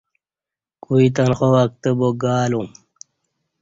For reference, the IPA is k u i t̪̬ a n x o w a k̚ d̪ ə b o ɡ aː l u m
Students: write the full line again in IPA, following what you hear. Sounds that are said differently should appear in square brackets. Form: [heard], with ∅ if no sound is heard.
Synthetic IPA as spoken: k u i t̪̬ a n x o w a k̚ [t̪] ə b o ɡ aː l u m